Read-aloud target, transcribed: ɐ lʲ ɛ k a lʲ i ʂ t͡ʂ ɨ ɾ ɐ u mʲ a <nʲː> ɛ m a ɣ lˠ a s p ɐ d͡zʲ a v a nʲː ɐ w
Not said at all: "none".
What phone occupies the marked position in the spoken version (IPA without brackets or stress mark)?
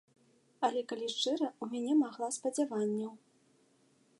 nʲ